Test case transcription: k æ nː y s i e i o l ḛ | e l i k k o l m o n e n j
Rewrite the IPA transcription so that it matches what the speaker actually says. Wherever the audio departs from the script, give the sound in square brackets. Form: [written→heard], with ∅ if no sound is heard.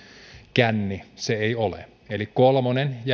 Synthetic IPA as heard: k æ nː [y→i] s [i→e] e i o l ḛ | e l i k k o l m o n e n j